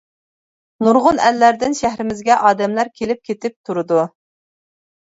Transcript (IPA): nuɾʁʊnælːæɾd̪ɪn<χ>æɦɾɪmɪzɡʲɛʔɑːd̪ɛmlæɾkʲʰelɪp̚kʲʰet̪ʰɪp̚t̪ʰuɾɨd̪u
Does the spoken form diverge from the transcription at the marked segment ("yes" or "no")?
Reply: yes